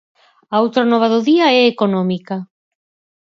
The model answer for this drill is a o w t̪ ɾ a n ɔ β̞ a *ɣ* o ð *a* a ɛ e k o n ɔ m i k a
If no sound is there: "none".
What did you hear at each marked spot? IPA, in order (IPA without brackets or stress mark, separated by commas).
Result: ð, i